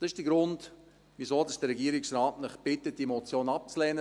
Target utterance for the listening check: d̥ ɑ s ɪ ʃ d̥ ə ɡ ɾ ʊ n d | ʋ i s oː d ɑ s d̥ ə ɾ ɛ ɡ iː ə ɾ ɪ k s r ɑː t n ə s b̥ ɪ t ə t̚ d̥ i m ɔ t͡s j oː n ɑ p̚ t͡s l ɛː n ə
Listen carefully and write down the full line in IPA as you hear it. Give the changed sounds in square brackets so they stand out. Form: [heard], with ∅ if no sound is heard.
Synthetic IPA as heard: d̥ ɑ s ɪ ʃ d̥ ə ɡ ɾ ʊ n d | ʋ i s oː d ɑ s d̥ ə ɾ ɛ ɡ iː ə ɾ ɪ k s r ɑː t n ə [χ] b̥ ɪ t ə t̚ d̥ i m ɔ t͡s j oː n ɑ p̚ t͡s l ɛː n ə